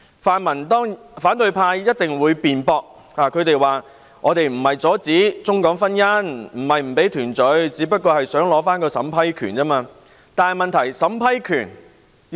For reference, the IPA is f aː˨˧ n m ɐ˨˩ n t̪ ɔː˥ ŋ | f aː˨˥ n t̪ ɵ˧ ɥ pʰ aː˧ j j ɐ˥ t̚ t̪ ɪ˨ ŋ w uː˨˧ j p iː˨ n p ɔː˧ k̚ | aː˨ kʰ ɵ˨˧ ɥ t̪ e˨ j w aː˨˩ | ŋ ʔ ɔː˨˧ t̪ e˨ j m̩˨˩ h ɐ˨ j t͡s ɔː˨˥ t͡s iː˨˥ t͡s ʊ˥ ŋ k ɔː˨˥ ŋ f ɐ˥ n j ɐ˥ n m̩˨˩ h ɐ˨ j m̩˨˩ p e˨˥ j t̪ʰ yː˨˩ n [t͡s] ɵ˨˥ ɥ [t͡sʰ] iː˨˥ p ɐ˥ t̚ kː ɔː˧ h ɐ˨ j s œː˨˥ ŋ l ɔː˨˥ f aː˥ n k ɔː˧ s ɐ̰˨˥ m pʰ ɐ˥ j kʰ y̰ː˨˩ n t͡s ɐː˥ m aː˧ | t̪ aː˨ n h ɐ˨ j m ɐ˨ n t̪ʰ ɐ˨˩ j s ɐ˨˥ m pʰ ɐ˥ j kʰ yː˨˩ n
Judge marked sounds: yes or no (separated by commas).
yes, no